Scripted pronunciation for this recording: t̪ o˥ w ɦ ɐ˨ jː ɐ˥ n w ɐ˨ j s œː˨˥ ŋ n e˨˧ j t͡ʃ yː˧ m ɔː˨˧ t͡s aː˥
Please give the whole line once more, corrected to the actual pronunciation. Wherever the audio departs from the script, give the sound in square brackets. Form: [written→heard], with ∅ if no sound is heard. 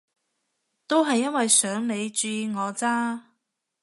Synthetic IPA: t̪ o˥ w ɦ ɐ˨ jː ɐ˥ n w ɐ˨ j s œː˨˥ ŋ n e˨˧ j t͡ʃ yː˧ [m→ŋ] ɔː˨˧ t͡s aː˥

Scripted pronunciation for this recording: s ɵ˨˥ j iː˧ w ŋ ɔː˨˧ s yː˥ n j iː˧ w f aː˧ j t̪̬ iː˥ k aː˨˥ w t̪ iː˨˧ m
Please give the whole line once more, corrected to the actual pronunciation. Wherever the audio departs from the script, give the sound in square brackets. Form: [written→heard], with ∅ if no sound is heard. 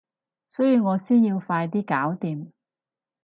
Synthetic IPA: s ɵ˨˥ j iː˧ w ŋ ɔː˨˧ s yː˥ n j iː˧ w f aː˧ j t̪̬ iː˥ k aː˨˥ w t̪ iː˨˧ m

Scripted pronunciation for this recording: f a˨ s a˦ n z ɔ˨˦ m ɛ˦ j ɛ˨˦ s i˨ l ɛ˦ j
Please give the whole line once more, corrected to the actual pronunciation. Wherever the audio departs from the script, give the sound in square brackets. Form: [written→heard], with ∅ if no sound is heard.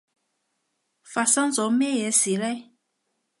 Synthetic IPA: f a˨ s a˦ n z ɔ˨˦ m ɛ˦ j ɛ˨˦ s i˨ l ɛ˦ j

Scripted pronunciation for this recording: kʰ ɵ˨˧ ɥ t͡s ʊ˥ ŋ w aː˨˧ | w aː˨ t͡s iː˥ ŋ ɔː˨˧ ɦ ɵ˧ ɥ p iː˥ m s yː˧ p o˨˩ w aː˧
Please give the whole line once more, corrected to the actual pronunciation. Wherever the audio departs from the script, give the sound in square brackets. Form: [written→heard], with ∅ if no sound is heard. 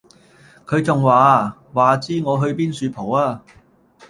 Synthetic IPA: kʰ ɵ˨˧ ɥ t͡s [ʊ˥→ʊ˨] ŋ w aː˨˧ | w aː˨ t͡s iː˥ ŋ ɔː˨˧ ɦ ɵ˧ ɥ p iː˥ [m→n] s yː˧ [p→pʰ] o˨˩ w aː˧

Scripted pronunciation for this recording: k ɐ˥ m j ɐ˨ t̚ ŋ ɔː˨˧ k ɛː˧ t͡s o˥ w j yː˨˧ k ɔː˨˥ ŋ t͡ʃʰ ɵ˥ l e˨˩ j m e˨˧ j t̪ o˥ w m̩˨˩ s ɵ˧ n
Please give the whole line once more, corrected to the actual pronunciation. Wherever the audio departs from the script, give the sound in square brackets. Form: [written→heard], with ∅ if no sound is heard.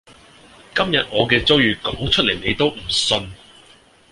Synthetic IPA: k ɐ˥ m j ɐ˨ t̚ ŋ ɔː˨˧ k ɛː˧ t͡s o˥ w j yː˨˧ k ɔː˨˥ ŋ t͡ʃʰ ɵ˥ l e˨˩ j [m→n] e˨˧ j t̪ o˥ w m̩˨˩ s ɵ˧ n

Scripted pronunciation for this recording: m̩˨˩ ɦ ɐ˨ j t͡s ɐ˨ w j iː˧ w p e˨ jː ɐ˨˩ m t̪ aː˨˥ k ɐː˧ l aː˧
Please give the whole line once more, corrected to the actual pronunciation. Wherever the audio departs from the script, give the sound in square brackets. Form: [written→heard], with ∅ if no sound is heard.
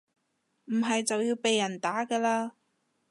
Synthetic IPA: m̩˨˩ ɦ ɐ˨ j t͡s ɐ˨ w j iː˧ w p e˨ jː ɐ˨˩ [m→n] t̪ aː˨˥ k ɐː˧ l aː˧

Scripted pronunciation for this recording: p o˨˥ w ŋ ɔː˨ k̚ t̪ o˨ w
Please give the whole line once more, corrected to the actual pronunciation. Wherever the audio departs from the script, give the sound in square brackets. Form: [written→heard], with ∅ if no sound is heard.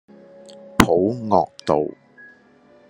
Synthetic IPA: [p→pʰ] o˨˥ w ŋ ɔː˨ k̚ t̪ o˨ w

